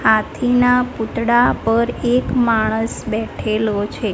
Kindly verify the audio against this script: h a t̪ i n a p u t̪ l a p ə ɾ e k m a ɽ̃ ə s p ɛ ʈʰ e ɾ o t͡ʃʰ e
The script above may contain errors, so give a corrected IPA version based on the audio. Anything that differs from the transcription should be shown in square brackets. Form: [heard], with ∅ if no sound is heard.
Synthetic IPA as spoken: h a [t̪ʰ] i n a p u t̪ [ɽ] a p ə ɾ e k m a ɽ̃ ə s [b] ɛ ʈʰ e [l] o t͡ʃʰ e